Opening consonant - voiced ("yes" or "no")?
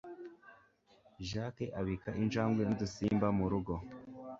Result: yes